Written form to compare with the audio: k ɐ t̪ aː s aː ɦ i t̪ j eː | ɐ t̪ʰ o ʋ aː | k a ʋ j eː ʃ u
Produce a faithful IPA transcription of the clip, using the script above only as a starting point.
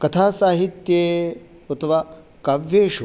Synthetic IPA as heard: k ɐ t̪ʰ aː s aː ɦ i t̪ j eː | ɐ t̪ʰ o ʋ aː | k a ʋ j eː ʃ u